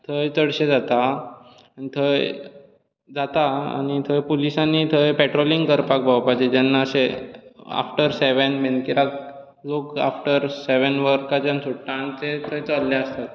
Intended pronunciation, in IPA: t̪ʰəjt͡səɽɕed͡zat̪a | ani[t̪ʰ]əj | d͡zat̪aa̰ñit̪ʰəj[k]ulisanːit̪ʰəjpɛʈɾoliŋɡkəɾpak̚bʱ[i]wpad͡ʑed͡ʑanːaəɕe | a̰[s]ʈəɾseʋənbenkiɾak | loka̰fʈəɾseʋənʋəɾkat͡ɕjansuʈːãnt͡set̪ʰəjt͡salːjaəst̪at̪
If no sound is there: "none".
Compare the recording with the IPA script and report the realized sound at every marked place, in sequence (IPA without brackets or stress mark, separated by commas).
t̪ʰ, p, a, f